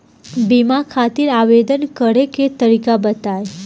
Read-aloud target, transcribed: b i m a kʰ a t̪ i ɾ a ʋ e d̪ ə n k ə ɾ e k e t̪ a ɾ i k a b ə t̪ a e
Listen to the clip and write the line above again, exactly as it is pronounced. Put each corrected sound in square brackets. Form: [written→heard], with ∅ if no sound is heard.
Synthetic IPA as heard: b i m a kʰ a t̪ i ɾ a ʋ e d̪ ə n k ə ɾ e k e t̪ [a→ə] ɾ i k a b ə t̪ a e

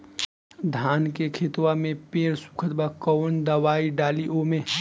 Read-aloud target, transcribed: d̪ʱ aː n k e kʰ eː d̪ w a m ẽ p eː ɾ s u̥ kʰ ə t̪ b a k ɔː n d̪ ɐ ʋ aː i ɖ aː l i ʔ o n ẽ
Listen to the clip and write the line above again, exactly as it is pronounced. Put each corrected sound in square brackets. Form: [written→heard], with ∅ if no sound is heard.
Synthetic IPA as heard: d̪ʱ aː n k e kʰ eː [d̪→t̪] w a m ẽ p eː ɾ s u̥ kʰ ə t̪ b a k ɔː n d̪ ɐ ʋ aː i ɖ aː l i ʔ o [n→m] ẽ

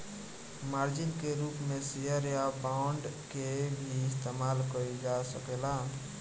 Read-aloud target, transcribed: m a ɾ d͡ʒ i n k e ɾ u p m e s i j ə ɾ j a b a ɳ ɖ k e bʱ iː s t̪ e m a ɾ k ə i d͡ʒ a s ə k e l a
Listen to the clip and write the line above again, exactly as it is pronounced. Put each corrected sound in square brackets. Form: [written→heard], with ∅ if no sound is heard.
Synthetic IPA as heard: m a ɾ d͡ʒ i n k e ɾ u p m e s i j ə ɾ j a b a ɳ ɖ k e bʱ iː s t̪ e m a [ɾ→l] k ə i d͡ʒ a s ə k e l a

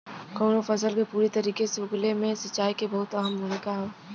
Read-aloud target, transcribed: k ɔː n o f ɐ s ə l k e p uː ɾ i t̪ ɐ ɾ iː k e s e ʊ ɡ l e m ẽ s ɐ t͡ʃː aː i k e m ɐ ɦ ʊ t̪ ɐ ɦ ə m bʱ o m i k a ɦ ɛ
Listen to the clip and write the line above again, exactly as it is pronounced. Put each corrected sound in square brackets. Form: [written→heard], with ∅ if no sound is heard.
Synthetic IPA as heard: k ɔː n o f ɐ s ə l k e p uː ɾ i t̪ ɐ ɾ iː k e s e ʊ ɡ l e m ẽ s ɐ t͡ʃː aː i k e [m→b] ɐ ɦ ʊ t̪ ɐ ɦ ə m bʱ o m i k a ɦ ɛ

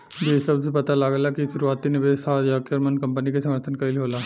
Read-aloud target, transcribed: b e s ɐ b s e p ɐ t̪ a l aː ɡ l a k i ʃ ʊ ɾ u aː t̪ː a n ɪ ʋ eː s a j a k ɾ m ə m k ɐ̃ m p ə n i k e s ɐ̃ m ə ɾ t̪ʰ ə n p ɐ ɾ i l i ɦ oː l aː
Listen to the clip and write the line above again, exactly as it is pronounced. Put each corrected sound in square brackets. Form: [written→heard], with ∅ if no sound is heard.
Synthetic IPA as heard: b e s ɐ b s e p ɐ t̪ a l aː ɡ l a k i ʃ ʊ ɾ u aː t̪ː [a→i] n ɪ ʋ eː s a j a k ɾ m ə [m→n] k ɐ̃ m p ə n i k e s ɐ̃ m ə ɾ t̪ʰ ə n [p→k] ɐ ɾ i l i ɦ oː l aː

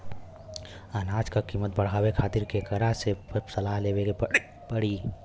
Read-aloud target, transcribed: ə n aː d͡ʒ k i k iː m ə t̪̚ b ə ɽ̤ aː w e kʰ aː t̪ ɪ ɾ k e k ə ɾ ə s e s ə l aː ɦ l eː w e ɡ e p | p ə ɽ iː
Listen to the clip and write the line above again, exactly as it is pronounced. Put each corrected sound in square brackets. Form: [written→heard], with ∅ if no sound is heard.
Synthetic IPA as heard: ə n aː d͡ʒ k [i→a] k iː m ə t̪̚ b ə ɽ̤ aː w e kʰ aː t̪ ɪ ɾ k e k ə ɾ [ə→a] s e s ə l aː ɦ l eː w e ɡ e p | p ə ɽ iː

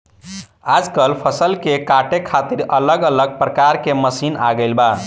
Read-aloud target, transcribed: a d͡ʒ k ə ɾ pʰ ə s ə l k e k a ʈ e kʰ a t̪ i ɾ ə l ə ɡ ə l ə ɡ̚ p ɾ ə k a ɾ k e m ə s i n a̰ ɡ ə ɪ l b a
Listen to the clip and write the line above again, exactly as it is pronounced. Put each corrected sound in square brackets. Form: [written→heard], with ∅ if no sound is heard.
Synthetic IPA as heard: a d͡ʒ k ə [ɾ→l] pʰ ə s ə l k e k a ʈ e kʰ a t̪ i ɾ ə l ə ɡ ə l ə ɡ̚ p ɾ ə k a ɾ k e m ə s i n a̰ ɡ ə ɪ l b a

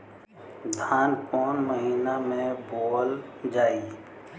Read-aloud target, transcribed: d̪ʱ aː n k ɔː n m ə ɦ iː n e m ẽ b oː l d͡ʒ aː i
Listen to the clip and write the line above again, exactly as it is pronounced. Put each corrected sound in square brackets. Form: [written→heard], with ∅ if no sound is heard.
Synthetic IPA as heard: d̪ʱ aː n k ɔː n m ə ɦ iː n [e→a] m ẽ b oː l d͡ʒ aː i

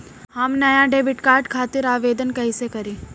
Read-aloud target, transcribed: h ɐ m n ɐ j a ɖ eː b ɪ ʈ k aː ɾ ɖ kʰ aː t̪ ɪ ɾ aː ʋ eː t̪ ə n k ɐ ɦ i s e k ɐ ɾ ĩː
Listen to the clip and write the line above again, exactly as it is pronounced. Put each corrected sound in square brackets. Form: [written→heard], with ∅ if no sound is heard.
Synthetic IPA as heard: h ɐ m n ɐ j a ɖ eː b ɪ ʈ k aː ɾ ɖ kʰ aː t̪ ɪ ɾ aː ʋ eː [t̪→d̪] ə n k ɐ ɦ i s e k ɐ ɾ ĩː

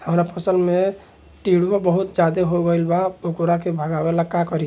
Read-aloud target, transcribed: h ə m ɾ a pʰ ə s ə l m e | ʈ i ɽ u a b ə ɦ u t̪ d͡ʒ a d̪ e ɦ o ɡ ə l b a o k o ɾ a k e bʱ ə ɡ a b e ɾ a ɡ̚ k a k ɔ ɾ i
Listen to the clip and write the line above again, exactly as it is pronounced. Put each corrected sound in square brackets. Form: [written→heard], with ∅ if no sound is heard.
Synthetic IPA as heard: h ə m ɾ a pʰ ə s ə l m e | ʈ i ɽ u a b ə ɦ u t̪ d͡ʒ a d̪ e ɦ o ɡ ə l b a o k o ɾ a k e bʱ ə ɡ a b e [ɾ→l] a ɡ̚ k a k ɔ ɾ i

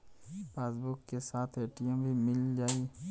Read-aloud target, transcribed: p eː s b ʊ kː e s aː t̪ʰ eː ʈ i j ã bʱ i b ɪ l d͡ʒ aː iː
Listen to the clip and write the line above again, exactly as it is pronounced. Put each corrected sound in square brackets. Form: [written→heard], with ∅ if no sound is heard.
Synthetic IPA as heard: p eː s b ʊ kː e s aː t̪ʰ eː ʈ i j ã bʱ i [b→m] ɪ l d͡ʒ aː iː

